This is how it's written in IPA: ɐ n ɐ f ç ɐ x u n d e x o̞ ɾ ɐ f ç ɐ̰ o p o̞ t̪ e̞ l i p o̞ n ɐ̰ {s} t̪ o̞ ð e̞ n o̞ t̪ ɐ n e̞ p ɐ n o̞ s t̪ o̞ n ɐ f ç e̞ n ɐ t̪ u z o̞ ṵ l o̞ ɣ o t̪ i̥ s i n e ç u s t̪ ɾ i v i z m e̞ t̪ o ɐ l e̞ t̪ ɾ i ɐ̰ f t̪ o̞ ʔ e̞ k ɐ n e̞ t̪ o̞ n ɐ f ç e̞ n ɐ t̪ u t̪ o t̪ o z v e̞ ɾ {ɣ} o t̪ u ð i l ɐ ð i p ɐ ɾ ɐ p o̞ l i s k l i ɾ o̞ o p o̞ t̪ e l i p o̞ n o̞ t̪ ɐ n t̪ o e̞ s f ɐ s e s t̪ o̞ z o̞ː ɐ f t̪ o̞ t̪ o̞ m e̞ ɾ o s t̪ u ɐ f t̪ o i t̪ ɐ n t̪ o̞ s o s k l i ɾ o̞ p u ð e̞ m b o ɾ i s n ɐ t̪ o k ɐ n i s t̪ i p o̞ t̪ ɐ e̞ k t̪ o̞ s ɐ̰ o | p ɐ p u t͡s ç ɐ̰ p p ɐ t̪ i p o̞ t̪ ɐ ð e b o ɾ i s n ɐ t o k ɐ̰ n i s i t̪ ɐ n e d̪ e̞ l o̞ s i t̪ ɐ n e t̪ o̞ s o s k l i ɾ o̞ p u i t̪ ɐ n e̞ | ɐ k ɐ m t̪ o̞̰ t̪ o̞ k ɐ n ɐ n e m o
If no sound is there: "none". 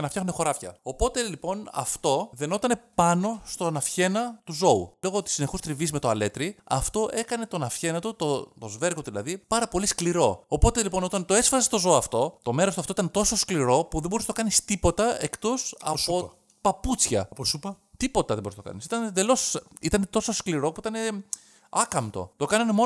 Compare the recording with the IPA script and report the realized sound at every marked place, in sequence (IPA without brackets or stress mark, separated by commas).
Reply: f, ɣ